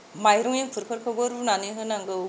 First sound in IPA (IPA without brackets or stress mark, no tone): m